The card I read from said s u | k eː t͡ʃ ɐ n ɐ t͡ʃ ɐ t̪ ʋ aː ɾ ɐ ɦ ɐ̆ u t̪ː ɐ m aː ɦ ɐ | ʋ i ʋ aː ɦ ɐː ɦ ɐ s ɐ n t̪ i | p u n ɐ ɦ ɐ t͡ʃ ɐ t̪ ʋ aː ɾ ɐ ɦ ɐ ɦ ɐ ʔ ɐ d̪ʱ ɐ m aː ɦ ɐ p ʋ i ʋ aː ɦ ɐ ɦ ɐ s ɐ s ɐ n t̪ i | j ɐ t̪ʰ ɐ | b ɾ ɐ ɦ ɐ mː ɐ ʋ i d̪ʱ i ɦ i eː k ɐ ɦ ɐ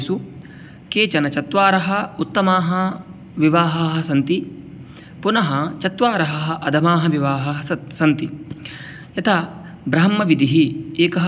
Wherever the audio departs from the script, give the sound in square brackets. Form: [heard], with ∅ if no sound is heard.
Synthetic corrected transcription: s u | k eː t͡ʃ ɐ n ɐ t͡ʃ ɐ t̪ ʋ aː ɾ ɐ ɦ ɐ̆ u t̪ː ɐ m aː ɦ ɐ | ʋ i ʋ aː ɦ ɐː ɦ ɐ s ɐ n t̪ i | p u n ɐ ɦ ɐ t͡ʃ ɐ t̪ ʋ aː ɾ ɐ ɦ ɐ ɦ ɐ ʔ ɐ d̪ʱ ɐ m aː ɦ ɐ [∅] ʋ i ʋ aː ɦ ɐ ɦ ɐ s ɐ s ɐ n t̪ i | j ɐ t̪ʰ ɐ | b ɾ ɐ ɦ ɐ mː ɐ ʋ i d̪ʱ i ɦ i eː k ɐ ɦ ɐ